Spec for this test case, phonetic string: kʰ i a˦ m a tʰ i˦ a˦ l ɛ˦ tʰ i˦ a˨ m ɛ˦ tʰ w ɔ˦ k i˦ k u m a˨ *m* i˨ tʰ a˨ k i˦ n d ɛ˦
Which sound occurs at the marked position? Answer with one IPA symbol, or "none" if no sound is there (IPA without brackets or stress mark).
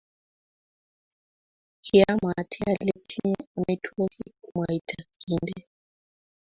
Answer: none